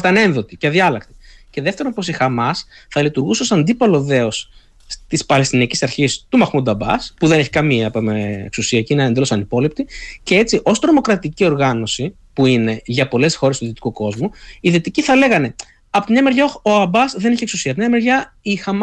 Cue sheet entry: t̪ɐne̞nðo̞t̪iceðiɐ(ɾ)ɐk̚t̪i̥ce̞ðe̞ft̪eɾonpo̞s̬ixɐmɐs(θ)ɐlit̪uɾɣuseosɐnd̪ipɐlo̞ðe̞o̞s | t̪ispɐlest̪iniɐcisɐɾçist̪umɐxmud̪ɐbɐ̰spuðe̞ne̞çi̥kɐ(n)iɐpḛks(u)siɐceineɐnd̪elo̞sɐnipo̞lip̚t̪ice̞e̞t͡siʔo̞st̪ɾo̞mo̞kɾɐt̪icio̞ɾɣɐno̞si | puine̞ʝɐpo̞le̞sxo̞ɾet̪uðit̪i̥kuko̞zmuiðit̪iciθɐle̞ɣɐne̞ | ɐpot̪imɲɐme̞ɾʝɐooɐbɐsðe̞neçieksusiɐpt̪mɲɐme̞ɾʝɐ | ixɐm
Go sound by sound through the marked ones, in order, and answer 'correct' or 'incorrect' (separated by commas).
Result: incorrect, correct, incorrect, correct